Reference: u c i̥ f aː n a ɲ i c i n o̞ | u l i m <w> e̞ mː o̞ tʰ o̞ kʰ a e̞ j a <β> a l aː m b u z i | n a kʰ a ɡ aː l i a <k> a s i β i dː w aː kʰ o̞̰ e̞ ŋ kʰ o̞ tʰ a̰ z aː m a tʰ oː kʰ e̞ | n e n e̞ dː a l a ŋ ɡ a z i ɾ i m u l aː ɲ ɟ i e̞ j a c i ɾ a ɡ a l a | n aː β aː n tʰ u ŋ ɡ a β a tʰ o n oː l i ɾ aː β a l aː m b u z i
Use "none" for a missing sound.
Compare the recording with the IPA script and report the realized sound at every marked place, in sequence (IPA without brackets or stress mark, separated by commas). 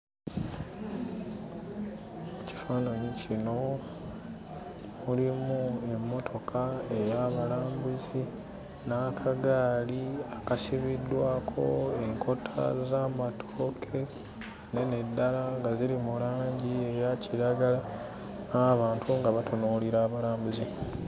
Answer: u, β, k